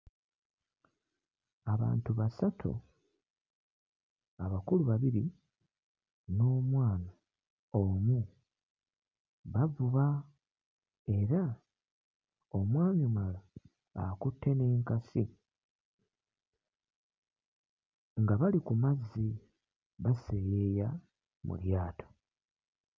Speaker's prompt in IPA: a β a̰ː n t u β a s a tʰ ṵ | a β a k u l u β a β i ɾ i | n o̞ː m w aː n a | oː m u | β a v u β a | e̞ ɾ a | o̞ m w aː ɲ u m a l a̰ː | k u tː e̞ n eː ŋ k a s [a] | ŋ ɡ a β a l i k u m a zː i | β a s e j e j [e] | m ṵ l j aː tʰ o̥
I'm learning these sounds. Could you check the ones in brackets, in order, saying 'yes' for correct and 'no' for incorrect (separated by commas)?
no, no